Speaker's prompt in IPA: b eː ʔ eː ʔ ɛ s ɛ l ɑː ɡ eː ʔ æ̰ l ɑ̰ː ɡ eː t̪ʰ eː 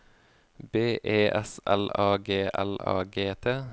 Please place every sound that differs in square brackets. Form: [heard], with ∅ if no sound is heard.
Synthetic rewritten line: b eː ʔ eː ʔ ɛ s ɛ l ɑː ɡ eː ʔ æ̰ l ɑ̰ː ɡ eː t̪ʰ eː